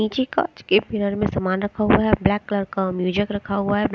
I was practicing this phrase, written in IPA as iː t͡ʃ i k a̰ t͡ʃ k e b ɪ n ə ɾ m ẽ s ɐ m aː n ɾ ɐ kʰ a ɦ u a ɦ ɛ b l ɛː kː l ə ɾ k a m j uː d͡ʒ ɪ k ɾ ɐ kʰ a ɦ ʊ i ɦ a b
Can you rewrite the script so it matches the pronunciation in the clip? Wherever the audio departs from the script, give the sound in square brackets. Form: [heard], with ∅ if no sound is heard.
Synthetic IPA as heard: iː t͡ʃ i k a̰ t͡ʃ k e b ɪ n ə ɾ m ẽ s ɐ m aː n ɾ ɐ kʰ a ɦ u a ɦ ɛ b l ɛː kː l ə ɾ k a m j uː d͡ʒ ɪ k ɾ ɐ kʰ a ɦ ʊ [a] ɦ [ɛ] b